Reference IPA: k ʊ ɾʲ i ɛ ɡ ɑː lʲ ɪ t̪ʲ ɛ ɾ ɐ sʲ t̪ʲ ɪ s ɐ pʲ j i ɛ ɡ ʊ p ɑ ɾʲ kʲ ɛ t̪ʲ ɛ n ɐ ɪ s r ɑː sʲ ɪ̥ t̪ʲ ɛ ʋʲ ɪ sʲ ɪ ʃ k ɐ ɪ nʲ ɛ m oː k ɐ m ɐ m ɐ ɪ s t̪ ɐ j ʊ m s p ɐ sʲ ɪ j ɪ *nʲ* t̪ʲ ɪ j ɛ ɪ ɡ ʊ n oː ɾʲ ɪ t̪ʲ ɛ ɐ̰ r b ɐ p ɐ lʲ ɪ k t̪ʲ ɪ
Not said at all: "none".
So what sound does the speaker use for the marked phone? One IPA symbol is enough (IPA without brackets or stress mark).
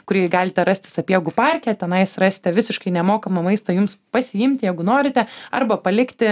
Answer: mʲ